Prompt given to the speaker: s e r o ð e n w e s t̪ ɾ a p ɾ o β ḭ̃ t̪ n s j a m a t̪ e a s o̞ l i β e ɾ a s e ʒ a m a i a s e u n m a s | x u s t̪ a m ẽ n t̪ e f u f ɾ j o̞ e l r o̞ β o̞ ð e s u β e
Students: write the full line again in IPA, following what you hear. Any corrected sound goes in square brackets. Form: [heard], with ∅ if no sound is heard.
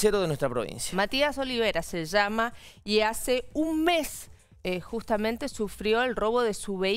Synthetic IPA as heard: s e [ɾ] o ð e n w e s t̪ ɾ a p ɾ o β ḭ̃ [∅] n s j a m a t̪ [i] a s o̞ l i β e ɾ a s e ʒ a m a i a s e u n m [e] s | x u s t̪ a m ẽ n t̪ e [s] u f ɾ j o̞ e l r o̞ β o̞ ð e s u β e